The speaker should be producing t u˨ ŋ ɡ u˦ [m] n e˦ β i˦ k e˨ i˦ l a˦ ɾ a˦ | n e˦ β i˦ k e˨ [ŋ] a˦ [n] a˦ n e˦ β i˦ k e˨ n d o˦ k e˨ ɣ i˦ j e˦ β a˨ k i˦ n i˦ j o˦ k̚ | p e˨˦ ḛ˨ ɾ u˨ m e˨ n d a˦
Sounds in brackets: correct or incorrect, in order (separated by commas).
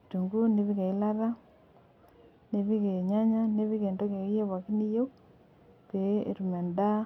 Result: incorrect, incorrect, incorrect